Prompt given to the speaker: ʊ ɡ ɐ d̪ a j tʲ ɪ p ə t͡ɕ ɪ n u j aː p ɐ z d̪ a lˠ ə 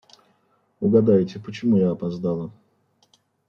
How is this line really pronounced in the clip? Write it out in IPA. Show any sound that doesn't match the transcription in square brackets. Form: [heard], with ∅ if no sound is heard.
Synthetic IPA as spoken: ʊ ɡ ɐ d̪ a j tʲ ɪ p ə t͡ɕ ɪ [m] u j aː p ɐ z d̪ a lˠ ə